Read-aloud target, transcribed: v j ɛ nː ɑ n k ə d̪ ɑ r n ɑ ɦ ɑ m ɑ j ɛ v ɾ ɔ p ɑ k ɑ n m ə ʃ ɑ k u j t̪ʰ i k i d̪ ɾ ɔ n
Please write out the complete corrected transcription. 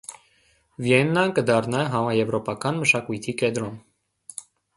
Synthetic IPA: v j ɛ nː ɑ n k ə d̪ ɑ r n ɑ ɦ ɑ m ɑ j ɛ v ɾ ɔ p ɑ k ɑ n m ə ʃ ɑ k u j t̪ʰ i k ɛ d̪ ɾ ɔ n